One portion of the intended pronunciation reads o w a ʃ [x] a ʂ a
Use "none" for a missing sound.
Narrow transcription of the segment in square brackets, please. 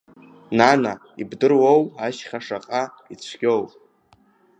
χ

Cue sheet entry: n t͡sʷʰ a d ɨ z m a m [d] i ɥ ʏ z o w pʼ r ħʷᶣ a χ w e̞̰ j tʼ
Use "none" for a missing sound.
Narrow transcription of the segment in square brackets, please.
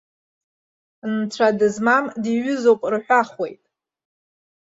d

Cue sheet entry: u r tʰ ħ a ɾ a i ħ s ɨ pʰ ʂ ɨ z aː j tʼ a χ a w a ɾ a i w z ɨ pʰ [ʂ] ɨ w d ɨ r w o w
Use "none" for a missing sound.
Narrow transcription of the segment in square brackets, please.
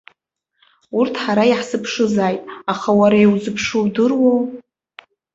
ʂ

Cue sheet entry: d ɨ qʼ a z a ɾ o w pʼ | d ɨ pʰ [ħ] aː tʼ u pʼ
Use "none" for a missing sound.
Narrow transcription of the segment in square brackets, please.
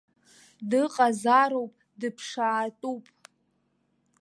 ʂ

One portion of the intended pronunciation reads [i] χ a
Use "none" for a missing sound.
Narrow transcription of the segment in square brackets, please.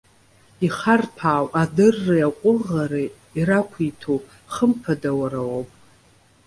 i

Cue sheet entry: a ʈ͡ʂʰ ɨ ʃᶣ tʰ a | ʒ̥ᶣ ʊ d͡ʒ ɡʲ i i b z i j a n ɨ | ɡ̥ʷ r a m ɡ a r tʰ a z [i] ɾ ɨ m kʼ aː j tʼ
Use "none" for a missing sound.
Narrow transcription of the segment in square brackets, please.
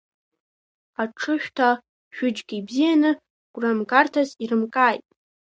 i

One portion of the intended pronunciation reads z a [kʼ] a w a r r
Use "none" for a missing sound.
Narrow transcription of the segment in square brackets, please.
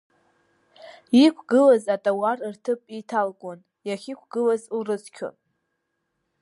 tʼ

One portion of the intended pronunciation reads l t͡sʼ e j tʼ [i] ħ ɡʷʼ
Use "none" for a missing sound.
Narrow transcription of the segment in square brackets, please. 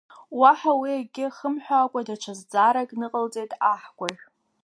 a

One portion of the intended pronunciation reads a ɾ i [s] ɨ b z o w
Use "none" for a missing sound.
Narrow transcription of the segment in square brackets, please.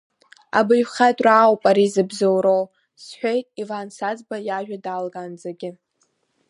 z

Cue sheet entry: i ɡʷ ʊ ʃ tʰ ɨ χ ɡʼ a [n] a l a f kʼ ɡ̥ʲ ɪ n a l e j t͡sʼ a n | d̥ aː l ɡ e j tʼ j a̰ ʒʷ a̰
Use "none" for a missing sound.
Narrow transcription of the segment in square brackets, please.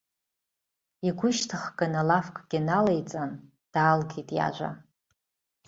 n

